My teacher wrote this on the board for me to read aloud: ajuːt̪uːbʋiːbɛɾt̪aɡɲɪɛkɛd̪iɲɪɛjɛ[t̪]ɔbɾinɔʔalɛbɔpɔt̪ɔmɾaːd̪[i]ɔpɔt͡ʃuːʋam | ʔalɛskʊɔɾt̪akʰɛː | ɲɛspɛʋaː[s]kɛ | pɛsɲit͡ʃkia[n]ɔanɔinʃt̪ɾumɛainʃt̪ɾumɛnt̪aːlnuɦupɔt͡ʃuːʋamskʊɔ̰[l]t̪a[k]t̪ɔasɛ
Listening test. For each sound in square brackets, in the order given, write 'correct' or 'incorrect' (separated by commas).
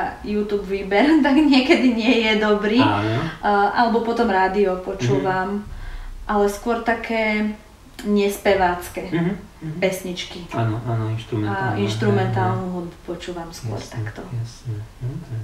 incorrect, correct, incorrect, correct, incorrect, correct